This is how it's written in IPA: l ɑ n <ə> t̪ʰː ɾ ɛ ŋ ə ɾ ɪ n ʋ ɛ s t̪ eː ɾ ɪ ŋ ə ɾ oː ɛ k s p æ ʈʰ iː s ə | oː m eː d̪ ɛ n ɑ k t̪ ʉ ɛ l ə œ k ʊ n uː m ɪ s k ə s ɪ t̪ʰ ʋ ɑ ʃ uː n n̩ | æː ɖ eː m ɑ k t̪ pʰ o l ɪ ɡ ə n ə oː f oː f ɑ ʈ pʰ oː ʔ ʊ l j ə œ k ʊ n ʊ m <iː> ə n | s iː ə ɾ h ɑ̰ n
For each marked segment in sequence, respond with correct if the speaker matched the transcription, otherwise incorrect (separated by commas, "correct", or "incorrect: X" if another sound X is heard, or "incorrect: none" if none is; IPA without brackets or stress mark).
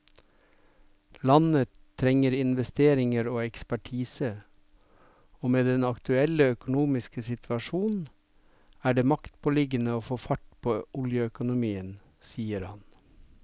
correct, correct